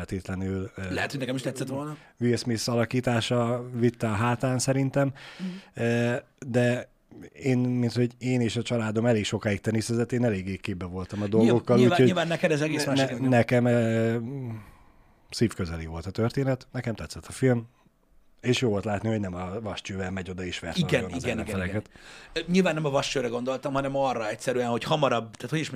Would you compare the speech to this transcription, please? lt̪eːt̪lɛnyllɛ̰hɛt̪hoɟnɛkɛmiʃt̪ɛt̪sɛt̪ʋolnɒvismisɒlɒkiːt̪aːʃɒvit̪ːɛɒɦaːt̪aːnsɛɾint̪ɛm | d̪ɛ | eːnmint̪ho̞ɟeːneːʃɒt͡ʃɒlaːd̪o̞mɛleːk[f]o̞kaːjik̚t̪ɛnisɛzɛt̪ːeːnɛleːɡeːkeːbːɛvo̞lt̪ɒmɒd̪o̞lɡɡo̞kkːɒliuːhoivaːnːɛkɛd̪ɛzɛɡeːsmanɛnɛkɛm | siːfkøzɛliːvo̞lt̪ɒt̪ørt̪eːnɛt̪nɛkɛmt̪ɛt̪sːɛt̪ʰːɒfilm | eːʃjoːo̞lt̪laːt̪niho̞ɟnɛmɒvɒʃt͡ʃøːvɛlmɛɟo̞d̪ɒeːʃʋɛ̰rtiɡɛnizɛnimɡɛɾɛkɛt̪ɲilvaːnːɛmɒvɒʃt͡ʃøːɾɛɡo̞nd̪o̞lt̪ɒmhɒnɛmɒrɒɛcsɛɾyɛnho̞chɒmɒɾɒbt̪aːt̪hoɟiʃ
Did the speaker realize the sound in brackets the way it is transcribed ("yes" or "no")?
no